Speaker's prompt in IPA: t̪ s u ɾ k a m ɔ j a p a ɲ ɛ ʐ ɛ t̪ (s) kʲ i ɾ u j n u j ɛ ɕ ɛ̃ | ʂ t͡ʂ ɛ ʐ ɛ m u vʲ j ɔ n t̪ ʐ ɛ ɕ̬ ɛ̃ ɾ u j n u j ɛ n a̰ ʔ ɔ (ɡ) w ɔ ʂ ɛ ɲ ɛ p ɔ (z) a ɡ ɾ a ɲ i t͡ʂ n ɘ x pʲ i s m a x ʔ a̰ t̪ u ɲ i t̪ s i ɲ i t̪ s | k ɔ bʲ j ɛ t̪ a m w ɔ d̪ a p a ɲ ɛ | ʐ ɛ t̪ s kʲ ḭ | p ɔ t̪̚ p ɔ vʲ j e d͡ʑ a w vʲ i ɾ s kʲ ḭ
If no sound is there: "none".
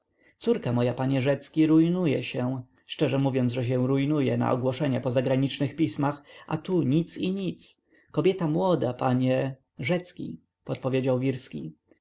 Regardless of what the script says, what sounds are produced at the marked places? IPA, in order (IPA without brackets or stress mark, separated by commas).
s, ɡ, z